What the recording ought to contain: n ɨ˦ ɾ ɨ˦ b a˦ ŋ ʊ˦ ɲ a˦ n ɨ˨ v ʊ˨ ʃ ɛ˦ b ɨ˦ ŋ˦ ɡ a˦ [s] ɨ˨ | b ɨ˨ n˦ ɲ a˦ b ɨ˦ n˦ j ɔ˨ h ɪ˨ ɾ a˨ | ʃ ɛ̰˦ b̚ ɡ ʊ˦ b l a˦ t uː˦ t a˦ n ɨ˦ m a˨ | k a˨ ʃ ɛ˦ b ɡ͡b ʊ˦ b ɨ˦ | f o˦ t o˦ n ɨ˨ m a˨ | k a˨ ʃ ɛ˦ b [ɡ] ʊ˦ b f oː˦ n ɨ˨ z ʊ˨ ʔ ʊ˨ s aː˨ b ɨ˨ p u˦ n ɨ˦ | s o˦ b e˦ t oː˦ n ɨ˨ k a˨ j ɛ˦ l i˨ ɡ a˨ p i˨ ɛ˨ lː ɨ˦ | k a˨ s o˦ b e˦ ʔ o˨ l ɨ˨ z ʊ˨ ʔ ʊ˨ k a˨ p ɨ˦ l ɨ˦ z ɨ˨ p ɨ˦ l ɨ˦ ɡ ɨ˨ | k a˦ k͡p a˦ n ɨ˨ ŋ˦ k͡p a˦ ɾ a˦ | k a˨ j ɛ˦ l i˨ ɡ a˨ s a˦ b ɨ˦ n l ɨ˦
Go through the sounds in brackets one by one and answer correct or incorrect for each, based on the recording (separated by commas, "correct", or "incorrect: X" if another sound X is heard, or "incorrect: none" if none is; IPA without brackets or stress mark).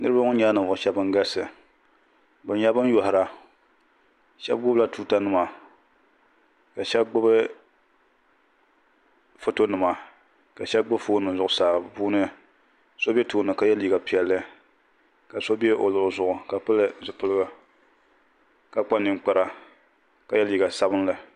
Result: correct, incorrect: ɡ͡b